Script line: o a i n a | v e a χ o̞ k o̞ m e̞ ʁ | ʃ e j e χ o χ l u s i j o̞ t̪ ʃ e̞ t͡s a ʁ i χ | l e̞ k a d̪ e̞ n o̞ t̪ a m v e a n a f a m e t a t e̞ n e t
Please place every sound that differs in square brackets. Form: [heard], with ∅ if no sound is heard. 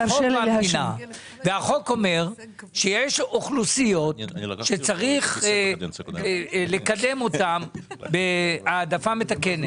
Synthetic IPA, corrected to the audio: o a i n a | v e a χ o̞ k o̞ m e̞ ʁ | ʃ e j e [ʃ] o χ l u s i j o̞ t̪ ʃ e̞ t͡s a ʁ i χ | l e̞ k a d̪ e̞ [m] o̞ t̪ a m [b] e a [d] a f a m e t a [k] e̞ n e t